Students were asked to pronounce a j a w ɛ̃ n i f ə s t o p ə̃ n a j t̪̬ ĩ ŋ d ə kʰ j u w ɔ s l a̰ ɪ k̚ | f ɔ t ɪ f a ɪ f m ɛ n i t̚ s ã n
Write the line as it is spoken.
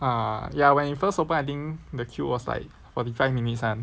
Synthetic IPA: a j a w ɛ̃ n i f ə s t o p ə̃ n a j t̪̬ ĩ ŋ d ə kʰ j u w ɔ s l a̰ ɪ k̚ | f ɔ t i f a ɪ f m i n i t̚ s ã n